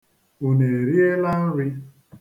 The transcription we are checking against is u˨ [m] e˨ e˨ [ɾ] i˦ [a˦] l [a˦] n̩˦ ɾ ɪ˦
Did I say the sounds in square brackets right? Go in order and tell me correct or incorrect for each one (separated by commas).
incorrect, correct, incorrect, correct